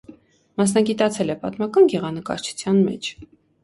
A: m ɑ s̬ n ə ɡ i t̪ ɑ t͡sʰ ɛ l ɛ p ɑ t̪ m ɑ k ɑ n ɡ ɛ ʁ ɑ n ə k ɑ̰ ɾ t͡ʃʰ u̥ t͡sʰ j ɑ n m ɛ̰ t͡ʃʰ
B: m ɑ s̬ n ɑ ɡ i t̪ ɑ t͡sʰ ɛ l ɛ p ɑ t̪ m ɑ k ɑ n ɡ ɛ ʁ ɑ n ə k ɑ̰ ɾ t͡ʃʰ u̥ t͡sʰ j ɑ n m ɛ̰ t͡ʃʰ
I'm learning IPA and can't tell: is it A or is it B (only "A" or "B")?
B